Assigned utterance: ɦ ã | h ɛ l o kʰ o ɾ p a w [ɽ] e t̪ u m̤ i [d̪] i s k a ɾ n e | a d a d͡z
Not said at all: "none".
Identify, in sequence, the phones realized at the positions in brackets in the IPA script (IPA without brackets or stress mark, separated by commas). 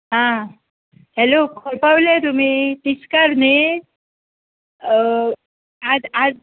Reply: l, t̪